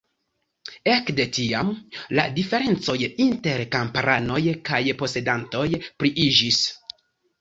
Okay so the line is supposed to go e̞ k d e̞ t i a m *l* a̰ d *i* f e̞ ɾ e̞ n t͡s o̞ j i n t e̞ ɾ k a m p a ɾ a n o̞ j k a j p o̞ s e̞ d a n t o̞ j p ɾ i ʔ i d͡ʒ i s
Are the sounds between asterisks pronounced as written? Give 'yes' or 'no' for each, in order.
yes, yes

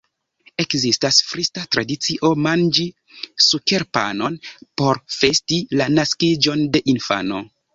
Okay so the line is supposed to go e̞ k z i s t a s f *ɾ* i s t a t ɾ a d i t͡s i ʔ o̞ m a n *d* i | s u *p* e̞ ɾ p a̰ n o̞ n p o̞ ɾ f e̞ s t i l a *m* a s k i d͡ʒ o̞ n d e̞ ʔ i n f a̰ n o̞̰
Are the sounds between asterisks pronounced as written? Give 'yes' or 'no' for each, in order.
yes, no, no, no

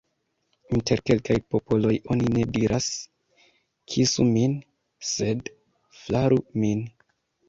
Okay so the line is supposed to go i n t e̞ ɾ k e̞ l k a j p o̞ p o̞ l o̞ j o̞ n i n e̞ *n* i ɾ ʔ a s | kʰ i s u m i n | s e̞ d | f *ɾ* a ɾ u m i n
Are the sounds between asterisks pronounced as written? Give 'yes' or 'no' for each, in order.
no, no

